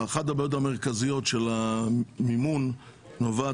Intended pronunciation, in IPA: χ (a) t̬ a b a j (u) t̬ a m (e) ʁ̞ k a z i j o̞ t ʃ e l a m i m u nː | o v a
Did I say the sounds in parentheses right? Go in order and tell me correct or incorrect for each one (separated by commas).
correct, incorrect, correct